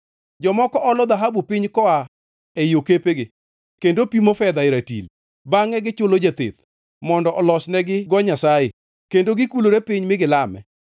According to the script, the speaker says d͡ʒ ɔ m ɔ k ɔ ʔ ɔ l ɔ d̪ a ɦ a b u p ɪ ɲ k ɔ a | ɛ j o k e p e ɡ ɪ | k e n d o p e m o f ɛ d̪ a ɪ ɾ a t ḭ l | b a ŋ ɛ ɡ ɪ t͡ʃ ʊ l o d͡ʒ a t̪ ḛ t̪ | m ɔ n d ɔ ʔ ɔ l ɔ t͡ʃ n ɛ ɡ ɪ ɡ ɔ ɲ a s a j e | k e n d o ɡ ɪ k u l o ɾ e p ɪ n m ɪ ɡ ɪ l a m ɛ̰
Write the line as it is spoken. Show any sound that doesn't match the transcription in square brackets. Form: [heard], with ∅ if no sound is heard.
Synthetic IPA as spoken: d͡ʒ ɔ m ɔ k ɔ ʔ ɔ l ɔ d̪ a ɦ a b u p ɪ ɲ k ɔ a | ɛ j o k e p e ɡ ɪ | k e n d o p [i] m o f ɛ d̪ a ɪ ɾ a t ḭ l | b a ŋ ɛ ɡ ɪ t͡ʃ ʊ l o d͡ʒ a t̪ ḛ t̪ | m ɔ n d ɔ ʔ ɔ l ɔ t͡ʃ n ɛ ɡ ɪ ɡ ɔ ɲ a s a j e | k e n d o ɡ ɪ k u l o ɾ e p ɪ [ɲ] m ɪ ɡ ɪ l a m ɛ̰